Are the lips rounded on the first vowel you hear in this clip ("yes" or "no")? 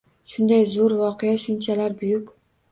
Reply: yes